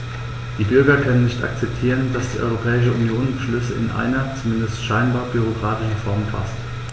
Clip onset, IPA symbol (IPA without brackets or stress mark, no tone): d̥